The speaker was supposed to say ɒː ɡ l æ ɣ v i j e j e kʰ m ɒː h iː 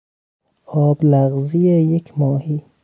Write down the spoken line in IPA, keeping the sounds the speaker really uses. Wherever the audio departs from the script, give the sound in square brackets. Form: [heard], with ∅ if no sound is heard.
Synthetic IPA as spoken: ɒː [b] l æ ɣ [z] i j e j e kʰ m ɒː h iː